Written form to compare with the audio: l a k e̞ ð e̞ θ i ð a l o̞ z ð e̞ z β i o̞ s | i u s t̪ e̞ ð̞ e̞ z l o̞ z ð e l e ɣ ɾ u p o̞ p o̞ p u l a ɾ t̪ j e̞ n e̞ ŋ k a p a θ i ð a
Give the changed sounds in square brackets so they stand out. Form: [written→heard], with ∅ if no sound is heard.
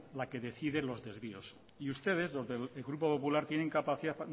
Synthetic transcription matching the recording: l a k e̞ ð e̞ θ i ð [a→e] l o̞ z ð e̞ z β i o̞ s | i u s t̪ e̞ ð̞ e̞ z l o̞ z ð e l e ɣ ɾ u p o̞ p o̞ p u l a ɾ t̪ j e̞ n e̞ ŋ k a p a θ i ð a